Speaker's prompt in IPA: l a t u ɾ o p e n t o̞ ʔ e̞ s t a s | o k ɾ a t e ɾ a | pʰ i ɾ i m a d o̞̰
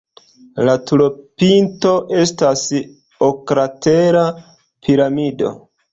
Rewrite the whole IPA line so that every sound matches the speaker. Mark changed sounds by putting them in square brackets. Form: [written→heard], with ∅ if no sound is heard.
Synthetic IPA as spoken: l a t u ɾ o p [e→i] n t o̞ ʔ e̞ s t a s | o k ɾ a t e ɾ a | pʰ i ɾ [i→a] m [a→i] d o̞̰